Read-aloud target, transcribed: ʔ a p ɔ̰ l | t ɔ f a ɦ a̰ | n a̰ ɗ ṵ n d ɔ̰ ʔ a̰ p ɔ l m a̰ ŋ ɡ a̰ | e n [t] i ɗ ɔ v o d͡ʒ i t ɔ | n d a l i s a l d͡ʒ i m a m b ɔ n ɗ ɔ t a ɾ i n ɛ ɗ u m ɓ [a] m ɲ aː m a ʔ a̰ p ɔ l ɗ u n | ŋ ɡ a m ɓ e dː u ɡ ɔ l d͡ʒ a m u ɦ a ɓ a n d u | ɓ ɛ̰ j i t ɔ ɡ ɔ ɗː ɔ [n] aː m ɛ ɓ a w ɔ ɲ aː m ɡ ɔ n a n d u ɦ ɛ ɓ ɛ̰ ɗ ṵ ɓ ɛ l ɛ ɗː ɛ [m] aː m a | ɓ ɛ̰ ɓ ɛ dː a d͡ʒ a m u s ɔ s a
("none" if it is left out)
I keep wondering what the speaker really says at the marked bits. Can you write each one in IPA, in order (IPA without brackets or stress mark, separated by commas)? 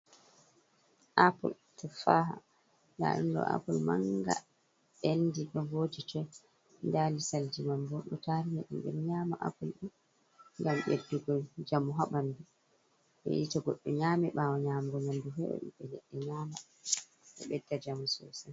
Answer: d, ɛ, ɲ, ɲ